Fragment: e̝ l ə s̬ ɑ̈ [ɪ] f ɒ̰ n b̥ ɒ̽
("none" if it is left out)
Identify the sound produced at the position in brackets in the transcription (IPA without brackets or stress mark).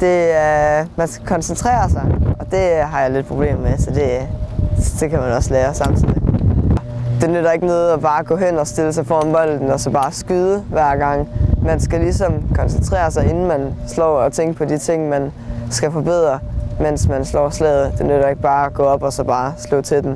ɪ